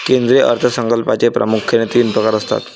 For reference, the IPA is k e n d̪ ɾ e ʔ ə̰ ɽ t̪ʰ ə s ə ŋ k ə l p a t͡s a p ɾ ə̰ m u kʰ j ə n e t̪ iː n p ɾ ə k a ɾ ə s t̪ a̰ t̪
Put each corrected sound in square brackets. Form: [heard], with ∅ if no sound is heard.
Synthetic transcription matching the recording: k e n d̪ ɾ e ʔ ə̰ [ɾ] t̪ʰ ə s ə ŋ k ə l p a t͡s [e] p ɾ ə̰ m u kʰ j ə n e t̪ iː n p ɾ ə k a ɾ ə s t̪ a̰ t̪